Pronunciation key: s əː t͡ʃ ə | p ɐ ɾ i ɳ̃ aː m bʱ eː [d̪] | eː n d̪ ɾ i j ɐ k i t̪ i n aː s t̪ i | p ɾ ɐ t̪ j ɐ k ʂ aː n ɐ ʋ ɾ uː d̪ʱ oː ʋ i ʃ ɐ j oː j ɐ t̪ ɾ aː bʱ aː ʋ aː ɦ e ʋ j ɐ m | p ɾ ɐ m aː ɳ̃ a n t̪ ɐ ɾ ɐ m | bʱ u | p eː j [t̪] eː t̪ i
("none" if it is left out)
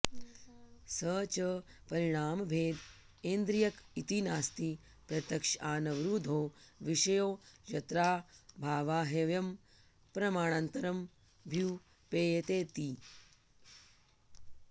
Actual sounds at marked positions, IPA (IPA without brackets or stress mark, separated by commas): d̪, t̪